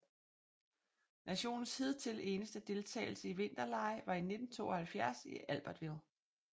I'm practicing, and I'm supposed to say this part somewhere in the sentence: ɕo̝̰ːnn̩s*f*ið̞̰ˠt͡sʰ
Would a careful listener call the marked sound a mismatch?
yes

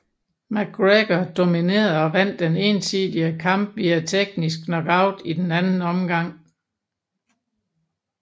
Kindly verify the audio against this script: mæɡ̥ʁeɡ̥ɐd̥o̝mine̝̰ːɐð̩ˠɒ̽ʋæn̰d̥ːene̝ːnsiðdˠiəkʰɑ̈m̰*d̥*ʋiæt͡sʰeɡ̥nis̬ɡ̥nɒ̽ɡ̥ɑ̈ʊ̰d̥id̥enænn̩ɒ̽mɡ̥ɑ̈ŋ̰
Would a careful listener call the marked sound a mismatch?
yes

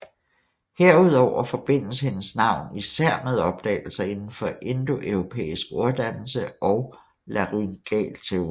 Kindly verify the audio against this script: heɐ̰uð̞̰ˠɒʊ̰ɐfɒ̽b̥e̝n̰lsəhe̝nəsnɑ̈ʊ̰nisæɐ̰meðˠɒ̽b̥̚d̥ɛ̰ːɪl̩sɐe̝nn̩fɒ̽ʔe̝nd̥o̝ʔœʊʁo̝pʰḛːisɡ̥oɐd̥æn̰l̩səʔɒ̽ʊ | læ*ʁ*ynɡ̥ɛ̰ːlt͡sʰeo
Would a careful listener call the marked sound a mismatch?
no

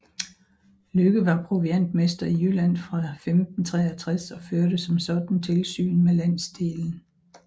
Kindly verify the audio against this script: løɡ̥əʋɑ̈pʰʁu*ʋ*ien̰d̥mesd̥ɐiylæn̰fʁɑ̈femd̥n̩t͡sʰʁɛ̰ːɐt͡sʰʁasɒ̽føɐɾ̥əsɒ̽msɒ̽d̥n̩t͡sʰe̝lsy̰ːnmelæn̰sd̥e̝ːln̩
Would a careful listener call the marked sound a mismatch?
no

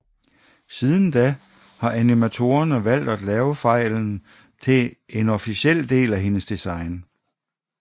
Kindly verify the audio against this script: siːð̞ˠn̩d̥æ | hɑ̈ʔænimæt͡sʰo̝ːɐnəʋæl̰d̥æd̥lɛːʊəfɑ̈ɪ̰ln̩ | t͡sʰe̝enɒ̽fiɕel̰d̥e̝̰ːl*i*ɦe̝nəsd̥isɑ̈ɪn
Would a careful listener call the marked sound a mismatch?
yes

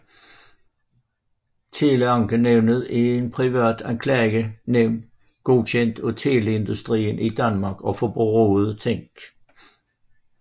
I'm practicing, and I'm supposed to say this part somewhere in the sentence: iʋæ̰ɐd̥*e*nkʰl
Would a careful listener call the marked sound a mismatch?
yes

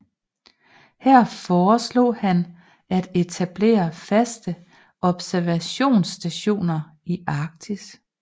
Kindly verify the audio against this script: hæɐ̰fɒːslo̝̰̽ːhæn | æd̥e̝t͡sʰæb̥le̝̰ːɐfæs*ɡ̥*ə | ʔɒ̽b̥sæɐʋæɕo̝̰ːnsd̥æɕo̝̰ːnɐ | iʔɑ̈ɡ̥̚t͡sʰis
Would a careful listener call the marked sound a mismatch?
yes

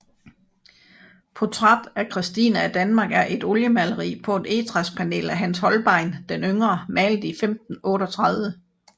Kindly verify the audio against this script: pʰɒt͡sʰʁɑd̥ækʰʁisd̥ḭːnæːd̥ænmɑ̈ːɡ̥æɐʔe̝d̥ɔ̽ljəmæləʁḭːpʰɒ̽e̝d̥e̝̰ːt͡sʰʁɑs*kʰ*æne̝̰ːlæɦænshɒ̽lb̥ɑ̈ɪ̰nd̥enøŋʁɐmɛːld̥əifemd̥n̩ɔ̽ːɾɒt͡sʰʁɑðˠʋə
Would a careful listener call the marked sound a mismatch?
yes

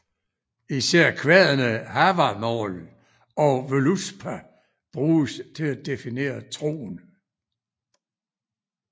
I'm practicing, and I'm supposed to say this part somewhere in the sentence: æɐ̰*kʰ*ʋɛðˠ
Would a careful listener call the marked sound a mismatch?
no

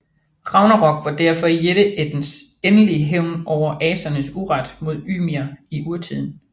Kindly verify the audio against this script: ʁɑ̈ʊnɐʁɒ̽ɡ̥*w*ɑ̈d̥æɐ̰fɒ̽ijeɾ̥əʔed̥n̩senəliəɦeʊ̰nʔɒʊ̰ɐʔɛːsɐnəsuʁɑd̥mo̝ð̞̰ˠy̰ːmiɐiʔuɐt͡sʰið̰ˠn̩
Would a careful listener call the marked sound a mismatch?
yes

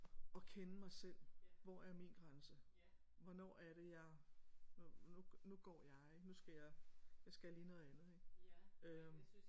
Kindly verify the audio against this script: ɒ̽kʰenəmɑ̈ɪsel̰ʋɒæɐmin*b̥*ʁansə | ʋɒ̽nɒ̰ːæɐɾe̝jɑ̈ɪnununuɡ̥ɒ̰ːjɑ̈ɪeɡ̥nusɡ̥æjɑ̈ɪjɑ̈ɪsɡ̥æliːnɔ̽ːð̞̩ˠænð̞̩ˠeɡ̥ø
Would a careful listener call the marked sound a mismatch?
yes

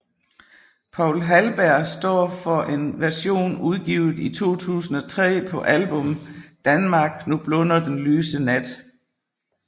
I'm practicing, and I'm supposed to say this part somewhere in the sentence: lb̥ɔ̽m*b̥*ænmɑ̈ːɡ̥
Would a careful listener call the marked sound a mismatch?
yes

